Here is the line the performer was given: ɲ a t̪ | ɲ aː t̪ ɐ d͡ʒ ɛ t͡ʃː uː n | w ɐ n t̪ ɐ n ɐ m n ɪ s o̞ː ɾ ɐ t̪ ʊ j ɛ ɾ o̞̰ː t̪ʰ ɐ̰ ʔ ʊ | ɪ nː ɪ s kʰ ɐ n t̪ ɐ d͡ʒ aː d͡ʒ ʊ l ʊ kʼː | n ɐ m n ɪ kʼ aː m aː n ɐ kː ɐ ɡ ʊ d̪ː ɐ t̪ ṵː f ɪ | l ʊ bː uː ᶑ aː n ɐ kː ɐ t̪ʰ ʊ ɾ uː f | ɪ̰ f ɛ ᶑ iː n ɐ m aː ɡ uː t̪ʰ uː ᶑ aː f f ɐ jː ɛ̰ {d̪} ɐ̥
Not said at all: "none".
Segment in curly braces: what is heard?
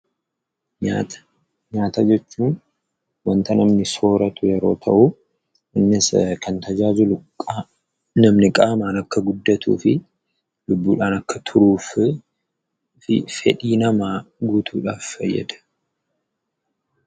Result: d̪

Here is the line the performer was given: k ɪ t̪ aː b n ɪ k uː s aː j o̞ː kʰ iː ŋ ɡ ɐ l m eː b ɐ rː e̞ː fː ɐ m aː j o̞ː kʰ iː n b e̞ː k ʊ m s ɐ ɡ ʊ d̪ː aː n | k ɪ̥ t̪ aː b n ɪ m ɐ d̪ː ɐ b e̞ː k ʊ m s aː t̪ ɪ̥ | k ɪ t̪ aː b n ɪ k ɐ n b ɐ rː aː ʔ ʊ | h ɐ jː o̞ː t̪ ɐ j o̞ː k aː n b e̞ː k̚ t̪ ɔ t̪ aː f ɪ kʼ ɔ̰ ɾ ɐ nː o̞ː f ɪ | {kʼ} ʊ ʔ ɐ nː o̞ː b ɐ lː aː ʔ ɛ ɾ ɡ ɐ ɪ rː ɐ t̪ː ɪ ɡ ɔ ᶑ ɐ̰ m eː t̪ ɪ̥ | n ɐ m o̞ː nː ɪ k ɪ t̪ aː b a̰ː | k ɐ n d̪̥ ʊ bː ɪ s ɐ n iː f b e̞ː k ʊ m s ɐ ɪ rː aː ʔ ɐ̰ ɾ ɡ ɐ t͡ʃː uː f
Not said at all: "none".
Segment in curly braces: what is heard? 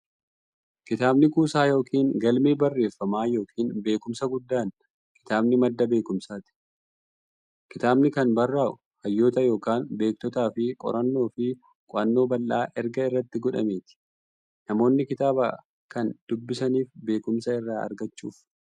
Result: kʼ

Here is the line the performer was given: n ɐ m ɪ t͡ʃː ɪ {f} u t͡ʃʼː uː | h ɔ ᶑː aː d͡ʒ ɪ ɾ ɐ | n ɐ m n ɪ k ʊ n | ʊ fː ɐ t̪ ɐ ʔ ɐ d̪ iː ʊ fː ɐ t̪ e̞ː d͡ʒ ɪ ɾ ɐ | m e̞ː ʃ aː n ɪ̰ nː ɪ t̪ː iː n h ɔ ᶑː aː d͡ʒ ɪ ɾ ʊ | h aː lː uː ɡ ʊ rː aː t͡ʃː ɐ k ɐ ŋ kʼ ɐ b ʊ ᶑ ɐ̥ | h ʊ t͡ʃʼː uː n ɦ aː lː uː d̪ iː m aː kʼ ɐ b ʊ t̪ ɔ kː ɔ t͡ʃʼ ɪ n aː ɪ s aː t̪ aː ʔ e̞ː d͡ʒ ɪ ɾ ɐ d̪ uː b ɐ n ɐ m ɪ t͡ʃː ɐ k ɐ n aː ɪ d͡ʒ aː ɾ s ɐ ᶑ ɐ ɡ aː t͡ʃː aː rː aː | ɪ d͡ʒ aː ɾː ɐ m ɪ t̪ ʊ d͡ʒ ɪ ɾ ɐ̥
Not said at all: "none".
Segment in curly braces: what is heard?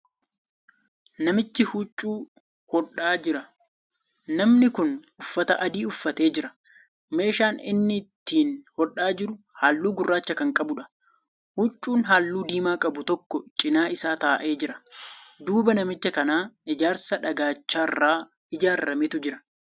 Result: h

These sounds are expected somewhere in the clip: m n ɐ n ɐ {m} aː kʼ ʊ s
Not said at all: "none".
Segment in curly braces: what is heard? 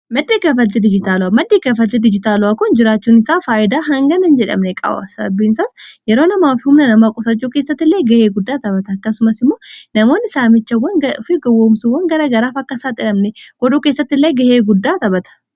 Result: m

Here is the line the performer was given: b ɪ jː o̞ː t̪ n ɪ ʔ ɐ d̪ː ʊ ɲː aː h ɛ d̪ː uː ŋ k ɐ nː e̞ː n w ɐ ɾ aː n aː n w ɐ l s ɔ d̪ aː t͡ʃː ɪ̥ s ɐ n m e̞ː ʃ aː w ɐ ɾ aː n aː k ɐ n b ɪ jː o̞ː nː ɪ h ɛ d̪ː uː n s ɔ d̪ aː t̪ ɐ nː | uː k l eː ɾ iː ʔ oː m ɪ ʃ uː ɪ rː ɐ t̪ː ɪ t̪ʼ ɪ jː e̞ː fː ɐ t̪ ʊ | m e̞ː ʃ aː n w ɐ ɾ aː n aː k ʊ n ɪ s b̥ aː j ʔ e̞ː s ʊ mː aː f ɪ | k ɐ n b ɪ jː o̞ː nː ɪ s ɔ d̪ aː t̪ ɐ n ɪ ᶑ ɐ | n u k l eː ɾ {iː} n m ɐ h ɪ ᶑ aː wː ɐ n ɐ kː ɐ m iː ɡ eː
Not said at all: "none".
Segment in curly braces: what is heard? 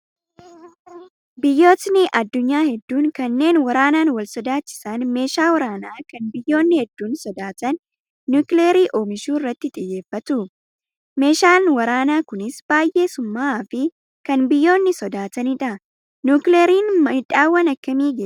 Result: iː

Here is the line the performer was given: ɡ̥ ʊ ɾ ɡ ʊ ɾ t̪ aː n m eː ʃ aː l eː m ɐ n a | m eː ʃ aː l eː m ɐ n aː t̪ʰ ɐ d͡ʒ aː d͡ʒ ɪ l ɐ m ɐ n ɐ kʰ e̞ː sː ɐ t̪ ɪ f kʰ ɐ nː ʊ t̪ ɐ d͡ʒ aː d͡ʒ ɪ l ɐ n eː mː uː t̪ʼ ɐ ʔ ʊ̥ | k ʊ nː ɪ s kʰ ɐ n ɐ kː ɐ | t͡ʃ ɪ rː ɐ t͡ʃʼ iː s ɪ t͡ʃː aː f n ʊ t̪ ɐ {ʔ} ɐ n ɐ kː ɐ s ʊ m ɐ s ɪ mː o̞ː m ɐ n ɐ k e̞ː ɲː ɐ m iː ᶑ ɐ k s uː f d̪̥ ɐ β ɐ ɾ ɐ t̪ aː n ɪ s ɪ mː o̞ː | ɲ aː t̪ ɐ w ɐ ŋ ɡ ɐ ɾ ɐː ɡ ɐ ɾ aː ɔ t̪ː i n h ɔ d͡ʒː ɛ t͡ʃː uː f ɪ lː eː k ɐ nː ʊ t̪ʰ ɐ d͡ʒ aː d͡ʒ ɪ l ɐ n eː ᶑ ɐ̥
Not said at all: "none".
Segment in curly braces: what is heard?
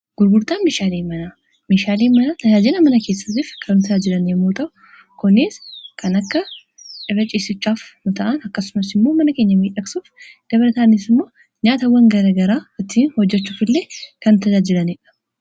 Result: ʔ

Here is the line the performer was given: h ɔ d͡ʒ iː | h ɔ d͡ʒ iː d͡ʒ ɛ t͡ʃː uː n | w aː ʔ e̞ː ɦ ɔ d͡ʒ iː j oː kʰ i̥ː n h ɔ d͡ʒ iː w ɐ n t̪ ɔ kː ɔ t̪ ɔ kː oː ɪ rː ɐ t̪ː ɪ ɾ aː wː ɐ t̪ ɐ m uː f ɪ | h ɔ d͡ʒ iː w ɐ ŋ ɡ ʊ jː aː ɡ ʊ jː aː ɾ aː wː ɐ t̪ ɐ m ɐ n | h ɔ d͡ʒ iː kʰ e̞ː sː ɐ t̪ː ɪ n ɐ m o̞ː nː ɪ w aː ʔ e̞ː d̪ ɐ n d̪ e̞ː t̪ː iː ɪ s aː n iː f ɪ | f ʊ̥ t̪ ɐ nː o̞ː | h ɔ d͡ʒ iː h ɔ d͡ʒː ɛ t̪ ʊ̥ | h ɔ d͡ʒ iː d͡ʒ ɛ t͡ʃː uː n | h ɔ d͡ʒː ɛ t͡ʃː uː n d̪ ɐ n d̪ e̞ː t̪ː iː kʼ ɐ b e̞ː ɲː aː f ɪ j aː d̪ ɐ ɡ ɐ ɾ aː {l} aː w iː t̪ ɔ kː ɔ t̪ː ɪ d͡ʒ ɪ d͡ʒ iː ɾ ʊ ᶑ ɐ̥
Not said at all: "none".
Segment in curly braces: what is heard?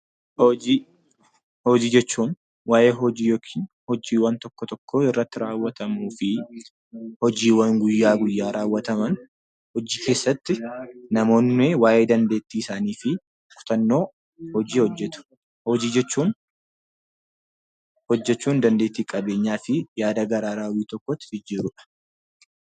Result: ɾ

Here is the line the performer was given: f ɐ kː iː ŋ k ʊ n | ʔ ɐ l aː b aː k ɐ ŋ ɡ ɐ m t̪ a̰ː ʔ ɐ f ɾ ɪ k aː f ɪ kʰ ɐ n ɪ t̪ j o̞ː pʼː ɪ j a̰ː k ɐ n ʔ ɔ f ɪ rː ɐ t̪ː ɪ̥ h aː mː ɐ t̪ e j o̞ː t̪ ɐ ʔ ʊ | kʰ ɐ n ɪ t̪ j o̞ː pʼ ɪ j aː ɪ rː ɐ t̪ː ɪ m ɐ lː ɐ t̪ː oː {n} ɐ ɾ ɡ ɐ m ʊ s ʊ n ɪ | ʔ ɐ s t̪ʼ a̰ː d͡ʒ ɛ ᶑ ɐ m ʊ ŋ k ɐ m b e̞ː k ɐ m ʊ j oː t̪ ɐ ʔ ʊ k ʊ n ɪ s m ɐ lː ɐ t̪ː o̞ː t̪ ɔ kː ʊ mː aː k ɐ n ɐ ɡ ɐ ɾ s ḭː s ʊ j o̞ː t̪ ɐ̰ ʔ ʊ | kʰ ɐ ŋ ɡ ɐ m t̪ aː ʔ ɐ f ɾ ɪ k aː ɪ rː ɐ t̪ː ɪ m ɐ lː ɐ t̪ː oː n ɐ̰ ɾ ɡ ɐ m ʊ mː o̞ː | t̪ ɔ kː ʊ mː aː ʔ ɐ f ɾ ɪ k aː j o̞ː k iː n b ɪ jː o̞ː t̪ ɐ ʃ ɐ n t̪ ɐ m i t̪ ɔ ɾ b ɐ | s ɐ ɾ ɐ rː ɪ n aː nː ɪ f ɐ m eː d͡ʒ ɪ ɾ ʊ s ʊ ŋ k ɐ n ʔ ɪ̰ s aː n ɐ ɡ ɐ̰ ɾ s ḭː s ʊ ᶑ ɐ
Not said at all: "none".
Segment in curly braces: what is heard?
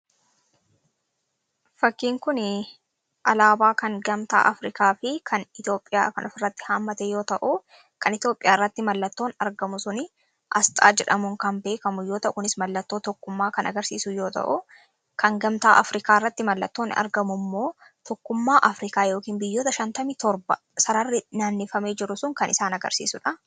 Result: n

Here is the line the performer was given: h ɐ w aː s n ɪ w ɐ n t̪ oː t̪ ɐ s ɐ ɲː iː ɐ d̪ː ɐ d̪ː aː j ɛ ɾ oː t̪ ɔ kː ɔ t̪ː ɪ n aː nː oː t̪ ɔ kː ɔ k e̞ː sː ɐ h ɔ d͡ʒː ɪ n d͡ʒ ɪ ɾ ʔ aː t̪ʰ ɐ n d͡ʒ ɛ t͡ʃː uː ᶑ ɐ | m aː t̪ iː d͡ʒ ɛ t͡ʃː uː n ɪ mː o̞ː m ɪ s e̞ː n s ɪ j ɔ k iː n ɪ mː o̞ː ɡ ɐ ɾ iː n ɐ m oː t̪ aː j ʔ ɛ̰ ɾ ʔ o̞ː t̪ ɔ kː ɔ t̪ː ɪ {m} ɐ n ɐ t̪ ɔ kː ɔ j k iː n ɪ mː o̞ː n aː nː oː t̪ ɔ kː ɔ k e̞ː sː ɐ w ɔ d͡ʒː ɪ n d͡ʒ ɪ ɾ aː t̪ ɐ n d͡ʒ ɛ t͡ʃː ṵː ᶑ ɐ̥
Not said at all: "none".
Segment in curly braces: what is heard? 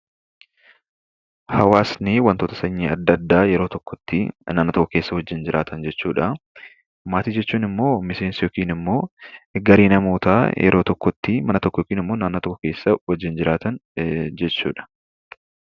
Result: m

